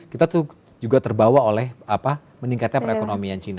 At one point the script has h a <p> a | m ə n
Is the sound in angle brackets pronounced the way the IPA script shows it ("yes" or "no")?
yes